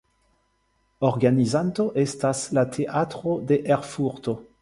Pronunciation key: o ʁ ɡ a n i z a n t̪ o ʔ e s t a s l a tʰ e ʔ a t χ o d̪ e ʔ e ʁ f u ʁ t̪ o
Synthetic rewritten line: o ʁ ɡ a n i z a n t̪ o ʔ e s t a s l a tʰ e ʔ a t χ o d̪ e ʔ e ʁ f u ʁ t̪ o